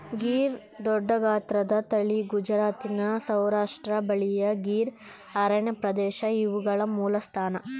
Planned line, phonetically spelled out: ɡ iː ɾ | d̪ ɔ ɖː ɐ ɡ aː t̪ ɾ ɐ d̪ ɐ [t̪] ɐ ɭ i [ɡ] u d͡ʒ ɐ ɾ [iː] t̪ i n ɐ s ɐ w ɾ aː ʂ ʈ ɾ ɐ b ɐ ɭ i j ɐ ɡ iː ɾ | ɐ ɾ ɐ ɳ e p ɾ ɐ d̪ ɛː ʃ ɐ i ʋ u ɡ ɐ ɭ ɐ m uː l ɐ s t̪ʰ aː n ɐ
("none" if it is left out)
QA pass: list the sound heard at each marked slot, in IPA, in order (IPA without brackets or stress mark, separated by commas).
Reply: t̪, ɡ, aː